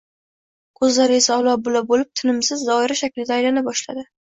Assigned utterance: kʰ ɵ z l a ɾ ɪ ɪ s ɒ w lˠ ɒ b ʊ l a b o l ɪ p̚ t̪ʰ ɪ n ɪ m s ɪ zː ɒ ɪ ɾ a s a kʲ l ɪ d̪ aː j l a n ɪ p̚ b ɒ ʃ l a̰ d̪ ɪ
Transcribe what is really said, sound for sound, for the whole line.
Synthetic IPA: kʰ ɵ z l a ɾ ɪ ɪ s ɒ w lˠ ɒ b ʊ l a b o l ɪ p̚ t̪ʰ ɪ n ɪ m s ɪ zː ɒ ɪ ɾ a ʃ a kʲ l ɪ d̪ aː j l a n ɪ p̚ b ɒ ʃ l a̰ d̪ ɪ